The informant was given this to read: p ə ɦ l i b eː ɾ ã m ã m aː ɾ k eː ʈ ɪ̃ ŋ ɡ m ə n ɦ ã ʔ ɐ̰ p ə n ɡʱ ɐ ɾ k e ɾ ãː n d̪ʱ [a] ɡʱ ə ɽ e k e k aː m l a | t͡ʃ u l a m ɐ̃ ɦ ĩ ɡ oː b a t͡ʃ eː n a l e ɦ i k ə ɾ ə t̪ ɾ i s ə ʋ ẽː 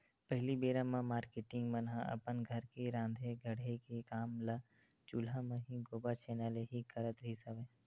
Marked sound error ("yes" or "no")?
yes